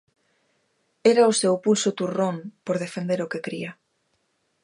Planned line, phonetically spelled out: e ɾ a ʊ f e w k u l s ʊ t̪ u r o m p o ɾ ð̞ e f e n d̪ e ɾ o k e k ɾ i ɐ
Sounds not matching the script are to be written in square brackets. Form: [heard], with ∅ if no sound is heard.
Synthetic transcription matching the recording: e ɾ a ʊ [s] e w [p] u l s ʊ t̪ u r o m p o ɾ ð̞ e f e n d̪ e ɾ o k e k ɾ i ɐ